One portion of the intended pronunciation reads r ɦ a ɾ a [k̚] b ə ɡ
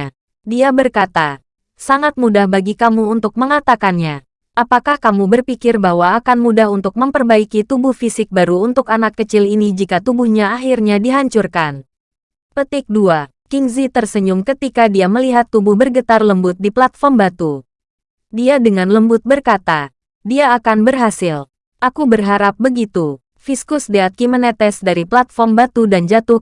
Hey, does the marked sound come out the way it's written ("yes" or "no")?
no